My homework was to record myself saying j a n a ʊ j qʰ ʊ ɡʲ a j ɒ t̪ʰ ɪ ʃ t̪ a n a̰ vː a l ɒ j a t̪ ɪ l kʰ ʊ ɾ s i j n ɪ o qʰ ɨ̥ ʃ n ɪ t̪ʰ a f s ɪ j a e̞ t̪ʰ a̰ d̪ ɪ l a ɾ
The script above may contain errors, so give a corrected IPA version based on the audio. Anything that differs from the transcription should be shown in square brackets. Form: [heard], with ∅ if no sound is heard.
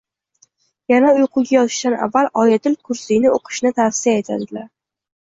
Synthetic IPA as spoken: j a n a ʊ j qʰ ʊ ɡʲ a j ɒ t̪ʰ ɪ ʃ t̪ a n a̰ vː a l ɒ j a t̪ ɪ l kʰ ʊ ɾ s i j n ɪ o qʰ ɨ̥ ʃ n ɪ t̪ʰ a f s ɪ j a e̞ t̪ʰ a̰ d̪ ɪ l a ɾ

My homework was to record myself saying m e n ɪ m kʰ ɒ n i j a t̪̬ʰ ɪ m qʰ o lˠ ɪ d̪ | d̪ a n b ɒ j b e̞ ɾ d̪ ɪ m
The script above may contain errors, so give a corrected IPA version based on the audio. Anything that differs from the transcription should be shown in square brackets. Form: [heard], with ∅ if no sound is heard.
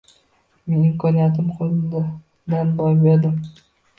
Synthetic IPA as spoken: m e n ɪ m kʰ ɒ n i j a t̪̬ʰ ɪ m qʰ o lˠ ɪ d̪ | d̪ a n b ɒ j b e̞ ɾ d̪ ɪ m

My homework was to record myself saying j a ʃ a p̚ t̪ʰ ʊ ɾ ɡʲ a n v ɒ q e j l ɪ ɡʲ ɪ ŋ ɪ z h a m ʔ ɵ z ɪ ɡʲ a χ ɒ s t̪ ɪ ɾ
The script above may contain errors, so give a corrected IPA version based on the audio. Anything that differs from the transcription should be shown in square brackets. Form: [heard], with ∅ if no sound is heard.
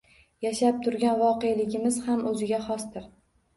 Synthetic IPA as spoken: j a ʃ a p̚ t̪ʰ ʊ ɾ ɡʲ a n v ɒ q e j l ɪ ɡʲ ɪ [m] ɪ z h a m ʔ ɵ z ɪ ɡʲ a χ ɒ s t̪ ɪ ɾ

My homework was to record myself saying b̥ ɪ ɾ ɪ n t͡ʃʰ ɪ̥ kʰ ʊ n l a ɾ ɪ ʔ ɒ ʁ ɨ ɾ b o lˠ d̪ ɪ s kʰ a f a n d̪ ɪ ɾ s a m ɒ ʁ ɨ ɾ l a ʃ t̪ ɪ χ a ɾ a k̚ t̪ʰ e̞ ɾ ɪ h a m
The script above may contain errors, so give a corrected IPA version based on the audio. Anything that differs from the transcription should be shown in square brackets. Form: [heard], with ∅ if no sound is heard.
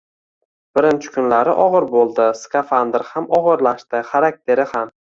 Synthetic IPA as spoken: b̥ ɪ ɾ ɪ n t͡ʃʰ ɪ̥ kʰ ʊ n l a ɾ ɪ ʔ ɒ ʁ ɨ ɾ b o lˠ d̪ ɪ s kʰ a f a n d̪ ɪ ɾ [h] a m ɒ ʁ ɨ ɾ l a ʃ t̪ ɪ χ a ɾ a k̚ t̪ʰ e̞ ɾ ɪ h a m

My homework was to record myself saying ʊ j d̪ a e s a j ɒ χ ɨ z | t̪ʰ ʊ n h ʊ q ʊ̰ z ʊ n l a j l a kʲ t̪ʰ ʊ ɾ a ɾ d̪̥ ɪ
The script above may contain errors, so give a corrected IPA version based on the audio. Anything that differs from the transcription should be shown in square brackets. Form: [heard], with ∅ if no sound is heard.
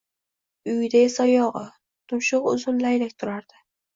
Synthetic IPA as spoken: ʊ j d̪ a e s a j ɒ [ʁ] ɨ [∅] | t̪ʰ ʊ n [ʃ] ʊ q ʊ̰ z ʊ n l a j l a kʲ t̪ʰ ʊ ɾ a ɾ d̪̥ ɪ

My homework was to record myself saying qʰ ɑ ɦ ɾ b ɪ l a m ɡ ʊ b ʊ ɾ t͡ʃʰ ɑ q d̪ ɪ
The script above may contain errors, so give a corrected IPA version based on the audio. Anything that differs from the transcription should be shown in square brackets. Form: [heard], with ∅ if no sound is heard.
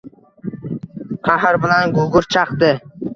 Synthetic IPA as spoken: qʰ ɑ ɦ ɾ b ɪ l a [n] ɡ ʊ [ɡ] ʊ ɾ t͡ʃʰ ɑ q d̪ ɪ

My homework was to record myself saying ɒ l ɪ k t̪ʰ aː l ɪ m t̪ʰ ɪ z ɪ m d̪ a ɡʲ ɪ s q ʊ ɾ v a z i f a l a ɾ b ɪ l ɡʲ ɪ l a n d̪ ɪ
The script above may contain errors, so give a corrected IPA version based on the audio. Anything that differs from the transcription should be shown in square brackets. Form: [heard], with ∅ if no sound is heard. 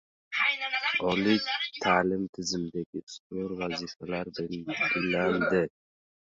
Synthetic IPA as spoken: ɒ l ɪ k t̪ʰ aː l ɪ m t̪ʰ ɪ z ɪ m d̪ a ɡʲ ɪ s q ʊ ɾ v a z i f a l a ɾ b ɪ l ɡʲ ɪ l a n d̪ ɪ

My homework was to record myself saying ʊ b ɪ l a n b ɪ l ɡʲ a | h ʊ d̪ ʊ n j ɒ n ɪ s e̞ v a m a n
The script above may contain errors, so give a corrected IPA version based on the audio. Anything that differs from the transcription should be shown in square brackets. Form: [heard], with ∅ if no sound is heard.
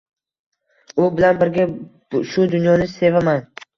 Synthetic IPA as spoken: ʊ b ɪ l a n b ɪ [ɾ] ɡʲ a | [ʃ] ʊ d̪ ʊ n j ɒ n ɪ s e̞ v a m a n

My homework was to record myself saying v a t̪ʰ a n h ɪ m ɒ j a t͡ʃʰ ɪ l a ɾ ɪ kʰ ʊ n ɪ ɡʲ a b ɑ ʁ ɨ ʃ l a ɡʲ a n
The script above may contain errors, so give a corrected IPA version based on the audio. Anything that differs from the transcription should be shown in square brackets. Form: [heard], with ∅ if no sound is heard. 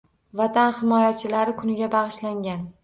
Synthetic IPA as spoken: v a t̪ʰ a n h ɪ m ɒ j a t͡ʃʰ ɪ l a ɾ ɪ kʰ ʊ n ɪ ɡʲ a b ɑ ʁ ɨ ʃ l a [ŋʲ] a n

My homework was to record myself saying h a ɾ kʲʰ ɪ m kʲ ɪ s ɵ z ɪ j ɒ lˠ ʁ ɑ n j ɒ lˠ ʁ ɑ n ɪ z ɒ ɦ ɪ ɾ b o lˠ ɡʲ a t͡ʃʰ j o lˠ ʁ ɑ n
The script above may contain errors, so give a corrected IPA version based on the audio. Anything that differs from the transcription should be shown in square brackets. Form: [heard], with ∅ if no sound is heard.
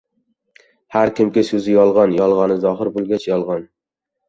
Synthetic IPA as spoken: h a ɾ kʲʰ ɪ m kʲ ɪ s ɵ z ɪ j ɒ lˠ ʁ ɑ n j ɒ lˠ ʁ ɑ n ɪ z ɒ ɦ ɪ ɾ b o lˠ ɡʲ a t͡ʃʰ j [ɒ] lˠ ʁ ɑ n

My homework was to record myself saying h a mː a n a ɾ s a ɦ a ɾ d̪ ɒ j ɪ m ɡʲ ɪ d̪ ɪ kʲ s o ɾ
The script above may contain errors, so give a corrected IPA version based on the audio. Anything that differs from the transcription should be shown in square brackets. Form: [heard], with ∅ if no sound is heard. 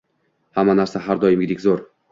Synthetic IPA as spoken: h a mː a n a ɾ s a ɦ a ɾ d̪ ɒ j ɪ m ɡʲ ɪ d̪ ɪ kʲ [z] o ɾ

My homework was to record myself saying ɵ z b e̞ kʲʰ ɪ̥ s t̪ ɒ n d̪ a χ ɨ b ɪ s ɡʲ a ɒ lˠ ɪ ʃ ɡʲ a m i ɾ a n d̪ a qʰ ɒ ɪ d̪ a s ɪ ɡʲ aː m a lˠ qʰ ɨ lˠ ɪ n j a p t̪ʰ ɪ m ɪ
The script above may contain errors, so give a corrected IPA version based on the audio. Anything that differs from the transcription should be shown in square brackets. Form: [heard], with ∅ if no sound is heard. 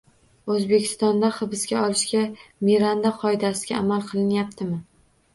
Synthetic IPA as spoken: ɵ z b e̞ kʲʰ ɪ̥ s t̪ ɒ n d̪ a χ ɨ b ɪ s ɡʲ a ɒ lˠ ɪ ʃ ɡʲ a m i ɾ a n d̪ a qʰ ɒ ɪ d̪ a s ɪ ɡʲ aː m a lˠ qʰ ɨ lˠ ɪ n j a p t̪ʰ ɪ m ɪ

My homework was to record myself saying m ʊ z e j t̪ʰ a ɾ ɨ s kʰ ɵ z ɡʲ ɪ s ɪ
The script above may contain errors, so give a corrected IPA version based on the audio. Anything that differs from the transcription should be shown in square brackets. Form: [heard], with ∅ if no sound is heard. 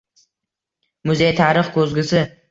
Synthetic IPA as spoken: m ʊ z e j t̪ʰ a ɾ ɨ [χ] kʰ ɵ z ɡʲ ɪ s ɪ

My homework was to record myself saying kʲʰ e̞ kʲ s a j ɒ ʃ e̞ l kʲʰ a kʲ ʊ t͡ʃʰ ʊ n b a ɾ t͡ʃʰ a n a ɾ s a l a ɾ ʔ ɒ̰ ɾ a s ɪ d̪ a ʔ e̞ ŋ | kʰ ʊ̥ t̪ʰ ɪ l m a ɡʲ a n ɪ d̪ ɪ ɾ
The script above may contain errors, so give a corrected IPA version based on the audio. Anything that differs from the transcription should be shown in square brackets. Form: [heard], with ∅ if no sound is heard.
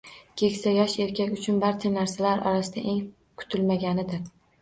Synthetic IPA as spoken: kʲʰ e̞ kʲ s a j ɒ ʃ e̞ [ɾ] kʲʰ a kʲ ʊ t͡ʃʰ ʊ n b a ɾ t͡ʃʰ a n a ɾ s a l a ɾ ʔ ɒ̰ ɾ a s ɪ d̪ a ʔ e̞ ŋ | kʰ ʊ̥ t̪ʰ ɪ l m a ɡʲ a n ɪ d̪ ɪ ɾ

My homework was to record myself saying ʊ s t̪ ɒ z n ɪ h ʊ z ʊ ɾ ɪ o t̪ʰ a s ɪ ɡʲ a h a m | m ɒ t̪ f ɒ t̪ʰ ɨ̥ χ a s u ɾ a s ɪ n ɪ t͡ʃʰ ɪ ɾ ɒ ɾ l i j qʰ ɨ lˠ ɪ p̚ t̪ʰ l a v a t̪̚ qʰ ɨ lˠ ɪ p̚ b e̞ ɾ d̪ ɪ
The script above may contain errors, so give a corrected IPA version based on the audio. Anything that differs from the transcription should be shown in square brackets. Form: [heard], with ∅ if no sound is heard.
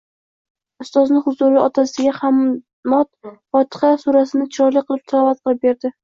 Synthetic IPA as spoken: ʊ s t̪ ɒ z n ɪ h ʊ z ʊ ɾ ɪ [ɒ] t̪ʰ a s ɪ ɡʲ a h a m | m ɒ t̪ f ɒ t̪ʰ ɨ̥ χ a s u ɾ a s ɪ n ɪ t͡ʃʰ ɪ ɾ ɒ ɾ l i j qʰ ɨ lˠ ɪ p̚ t̪ʰ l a v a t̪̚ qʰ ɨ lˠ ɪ p̚ b e̞ ɾ d̪ ɪ

